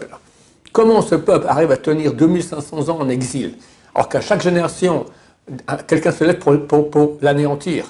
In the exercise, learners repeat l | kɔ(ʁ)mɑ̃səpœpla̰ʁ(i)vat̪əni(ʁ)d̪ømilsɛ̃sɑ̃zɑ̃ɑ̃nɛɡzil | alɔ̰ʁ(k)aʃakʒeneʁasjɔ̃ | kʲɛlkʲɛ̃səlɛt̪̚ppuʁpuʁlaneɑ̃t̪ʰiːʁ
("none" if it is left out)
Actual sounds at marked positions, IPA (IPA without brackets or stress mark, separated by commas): none, i, ʁ, k